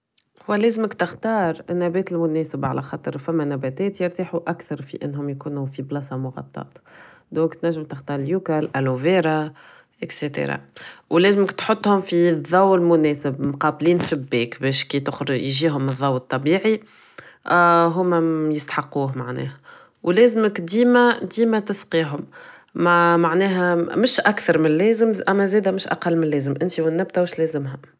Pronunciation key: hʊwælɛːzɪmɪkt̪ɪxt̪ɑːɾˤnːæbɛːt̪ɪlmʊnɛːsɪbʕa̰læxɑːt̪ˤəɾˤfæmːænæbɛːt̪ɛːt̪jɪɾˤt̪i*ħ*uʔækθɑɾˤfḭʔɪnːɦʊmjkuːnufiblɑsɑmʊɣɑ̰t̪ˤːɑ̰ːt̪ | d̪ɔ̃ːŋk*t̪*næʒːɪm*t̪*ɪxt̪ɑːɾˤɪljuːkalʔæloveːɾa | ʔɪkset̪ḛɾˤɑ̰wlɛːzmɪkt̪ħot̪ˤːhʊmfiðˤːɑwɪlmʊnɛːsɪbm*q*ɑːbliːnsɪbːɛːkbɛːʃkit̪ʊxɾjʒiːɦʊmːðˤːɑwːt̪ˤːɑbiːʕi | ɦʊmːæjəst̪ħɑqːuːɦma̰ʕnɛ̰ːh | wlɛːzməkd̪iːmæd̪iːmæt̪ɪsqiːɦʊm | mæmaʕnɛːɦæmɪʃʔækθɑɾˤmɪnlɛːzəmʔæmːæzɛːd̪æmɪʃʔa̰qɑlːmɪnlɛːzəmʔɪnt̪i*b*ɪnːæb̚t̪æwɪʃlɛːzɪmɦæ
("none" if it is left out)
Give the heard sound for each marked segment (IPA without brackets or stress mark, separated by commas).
ħ, t̪, t̪, q, w